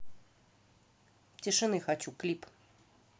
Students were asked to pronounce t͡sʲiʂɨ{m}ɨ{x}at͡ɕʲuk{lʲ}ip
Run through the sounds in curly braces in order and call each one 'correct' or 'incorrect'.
incorrect: n, correct, correct

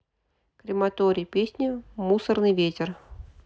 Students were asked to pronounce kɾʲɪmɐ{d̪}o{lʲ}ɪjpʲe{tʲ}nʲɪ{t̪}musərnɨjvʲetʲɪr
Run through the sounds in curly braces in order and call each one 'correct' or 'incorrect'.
incorrect: t̪, incorrect: ɾʲ, incorrect: sʲ, incorrect: none

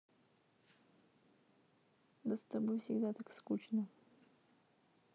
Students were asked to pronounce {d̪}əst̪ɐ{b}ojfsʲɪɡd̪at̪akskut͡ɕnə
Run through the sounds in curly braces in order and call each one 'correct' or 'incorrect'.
correct, correct

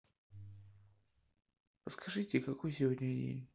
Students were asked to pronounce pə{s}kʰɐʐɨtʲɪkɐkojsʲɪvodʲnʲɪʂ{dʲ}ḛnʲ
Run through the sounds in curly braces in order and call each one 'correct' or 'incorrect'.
correct, correct

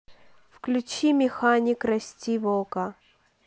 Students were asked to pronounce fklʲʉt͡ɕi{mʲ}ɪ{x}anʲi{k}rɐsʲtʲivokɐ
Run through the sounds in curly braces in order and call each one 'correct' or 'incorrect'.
correct, correct, correct

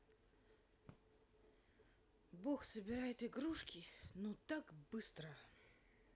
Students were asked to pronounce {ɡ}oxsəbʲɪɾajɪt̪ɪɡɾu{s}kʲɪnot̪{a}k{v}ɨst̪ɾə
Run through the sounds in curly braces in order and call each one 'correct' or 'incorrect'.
incorrect: b, incorrect: ʂ, correct, incorrect: b

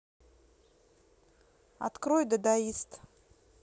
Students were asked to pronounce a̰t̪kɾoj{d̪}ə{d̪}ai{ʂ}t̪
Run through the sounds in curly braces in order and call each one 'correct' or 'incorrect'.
correct, correct, incorrect: s

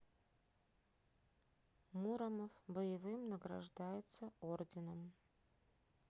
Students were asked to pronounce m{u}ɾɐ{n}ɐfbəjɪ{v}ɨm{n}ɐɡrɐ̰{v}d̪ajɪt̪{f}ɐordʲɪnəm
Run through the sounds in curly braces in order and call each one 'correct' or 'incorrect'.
correct, incorrect: m, correct, correct, incorrect: ʐ, incorrect: s

